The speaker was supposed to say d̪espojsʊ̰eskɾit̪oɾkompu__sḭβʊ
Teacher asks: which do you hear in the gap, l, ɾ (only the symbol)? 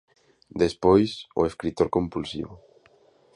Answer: l